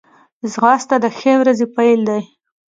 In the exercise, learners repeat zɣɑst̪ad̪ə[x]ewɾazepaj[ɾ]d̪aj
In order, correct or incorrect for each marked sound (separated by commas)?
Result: correct, incorrect